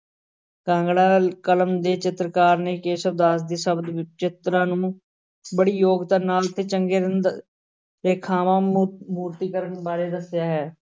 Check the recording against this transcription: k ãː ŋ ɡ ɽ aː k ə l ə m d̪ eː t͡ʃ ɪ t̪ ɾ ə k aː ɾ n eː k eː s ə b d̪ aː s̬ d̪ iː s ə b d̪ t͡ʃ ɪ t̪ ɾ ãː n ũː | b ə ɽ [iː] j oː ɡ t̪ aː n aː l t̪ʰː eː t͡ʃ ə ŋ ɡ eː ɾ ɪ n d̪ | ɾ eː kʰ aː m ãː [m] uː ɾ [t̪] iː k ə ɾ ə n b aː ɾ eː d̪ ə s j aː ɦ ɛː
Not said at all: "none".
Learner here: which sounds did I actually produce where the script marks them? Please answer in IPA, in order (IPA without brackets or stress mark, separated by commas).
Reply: iː, m, t̪